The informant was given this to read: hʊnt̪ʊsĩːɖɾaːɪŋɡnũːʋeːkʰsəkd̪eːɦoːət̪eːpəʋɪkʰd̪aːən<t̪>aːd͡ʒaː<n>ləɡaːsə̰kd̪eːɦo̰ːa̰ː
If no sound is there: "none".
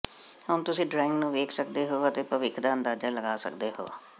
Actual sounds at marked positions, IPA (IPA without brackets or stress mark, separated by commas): d̪, none